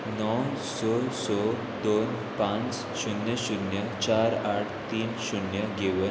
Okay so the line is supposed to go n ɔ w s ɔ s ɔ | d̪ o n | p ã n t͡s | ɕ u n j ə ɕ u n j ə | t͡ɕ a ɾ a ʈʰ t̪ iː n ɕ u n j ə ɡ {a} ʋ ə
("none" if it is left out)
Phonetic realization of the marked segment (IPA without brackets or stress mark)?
e